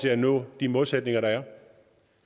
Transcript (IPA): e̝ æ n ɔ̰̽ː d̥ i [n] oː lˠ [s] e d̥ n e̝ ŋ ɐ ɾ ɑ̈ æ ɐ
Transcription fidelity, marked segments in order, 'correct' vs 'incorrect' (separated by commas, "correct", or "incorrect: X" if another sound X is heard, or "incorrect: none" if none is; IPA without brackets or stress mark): incorrect: m, correct